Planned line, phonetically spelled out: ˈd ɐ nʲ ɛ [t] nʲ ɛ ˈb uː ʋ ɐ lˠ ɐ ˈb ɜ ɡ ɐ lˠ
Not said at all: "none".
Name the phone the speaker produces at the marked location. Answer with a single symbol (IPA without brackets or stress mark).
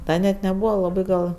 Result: t